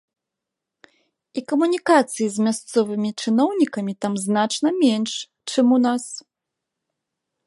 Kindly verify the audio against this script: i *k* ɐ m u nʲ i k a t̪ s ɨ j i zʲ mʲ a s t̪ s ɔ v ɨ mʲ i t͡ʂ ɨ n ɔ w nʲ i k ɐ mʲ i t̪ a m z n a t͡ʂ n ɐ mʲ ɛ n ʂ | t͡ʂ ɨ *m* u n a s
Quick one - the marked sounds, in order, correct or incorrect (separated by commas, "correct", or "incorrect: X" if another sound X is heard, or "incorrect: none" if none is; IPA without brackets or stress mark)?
correct, correct